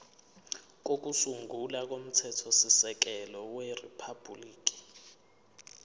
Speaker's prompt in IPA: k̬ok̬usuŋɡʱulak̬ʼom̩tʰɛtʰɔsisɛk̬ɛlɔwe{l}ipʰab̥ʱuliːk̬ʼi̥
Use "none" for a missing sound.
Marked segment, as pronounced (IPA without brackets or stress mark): r